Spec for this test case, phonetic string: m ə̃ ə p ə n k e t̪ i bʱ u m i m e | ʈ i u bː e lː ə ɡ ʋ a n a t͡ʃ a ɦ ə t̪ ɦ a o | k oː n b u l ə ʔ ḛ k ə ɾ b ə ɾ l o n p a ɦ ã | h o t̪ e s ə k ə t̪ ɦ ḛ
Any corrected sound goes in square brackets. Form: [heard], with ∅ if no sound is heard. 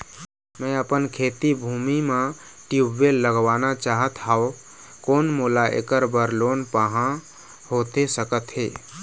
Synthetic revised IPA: m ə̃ ə p ə n [kʰ] e t̪ i bʱ u m i m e | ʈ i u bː e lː ə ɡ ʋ a n a t͡ʃ a ɦ ə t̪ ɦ a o | k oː n [m] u l [a] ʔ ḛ k ə ɾ b ə ɾ l o n p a ɦ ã | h o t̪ e s ə k ə t̪ ɦ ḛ